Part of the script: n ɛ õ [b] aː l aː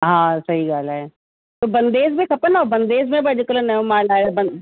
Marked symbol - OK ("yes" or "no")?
no